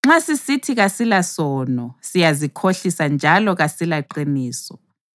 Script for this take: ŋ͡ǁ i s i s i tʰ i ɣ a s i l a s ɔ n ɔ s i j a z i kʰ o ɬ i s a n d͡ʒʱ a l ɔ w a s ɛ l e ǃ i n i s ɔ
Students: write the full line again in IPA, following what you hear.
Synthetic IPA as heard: ŋ͡ǁ a s i s i tʰ i ɣ a s i l a s ɔ n ɔ s i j a z i kʰ o ɬ i s a n d͡ʒʱ a l ɔ ɣ a s i l a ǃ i n iː s ɔ